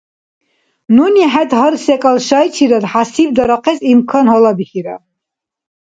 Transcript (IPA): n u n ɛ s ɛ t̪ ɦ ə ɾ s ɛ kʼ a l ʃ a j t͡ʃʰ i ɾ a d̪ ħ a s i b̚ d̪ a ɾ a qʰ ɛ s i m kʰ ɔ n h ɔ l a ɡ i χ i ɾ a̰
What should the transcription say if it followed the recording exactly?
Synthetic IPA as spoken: n u n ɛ ħ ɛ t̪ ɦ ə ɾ s ɛ kʼ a l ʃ a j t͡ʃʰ i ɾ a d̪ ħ a s i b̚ d̪ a ɾ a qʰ ɛ s i m kʰ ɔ n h ɔ l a b i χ i ɾ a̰